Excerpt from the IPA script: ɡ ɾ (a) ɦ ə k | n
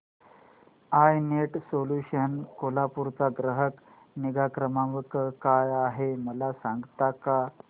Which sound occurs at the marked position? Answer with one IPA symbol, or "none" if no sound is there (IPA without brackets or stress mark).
ə